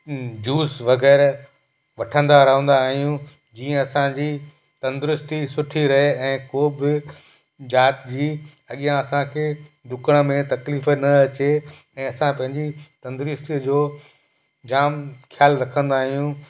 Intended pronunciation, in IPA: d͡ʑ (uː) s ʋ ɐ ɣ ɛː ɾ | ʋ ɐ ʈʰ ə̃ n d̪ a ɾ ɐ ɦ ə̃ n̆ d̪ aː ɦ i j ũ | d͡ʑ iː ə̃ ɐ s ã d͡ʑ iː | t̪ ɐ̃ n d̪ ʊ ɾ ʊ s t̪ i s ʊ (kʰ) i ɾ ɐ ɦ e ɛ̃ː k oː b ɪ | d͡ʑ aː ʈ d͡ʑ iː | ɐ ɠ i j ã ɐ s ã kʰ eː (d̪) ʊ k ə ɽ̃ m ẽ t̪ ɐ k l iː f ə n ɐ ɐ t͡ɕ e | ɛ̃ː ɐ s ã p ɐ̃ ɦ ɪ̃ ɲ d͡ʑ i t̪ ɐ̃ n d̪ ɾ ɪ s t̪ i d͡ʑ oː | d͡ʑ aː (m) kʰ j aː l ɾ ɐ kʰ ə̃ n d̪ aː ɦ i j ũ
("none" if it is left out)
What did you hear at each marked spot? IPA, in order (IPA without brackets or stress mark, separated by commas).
uː, ʈʰ, d̪, m